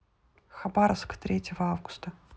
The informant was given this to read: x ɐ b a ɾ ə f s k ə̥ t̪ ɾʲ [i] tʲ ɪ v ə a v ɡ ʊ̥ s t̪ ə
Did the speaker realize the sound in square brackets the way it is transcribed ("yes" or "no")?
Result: no